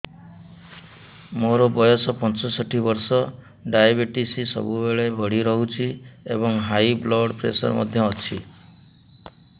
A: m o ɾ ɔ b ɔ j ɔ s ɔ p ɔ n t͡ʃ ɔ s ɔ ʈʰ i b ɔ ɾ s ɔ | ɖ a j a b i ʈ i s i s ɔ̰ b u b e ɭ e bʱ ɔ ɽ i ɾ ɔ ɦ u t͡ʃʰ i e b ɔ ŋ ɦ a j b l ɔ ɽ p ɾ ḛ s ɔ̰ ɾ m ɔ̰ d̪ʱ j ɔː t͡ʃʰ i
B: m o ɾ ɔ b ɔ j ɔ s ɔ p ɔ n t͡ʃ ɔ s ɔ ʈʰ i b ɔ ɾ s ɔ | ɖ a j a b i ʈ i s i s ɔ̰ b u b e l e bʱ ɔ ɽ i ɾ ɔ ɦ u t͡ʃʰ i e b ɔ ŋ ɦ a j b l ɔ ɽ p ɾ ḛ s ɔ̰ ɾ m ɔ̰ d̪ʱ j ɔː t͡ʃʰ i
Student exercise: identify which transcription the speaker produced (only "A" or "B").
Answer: A